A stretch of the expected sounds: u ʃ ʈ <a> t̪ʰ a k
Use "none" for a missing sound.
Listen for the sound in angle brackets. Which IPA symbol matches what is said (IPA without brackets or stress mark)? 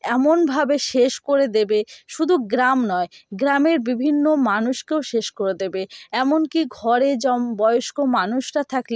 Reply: a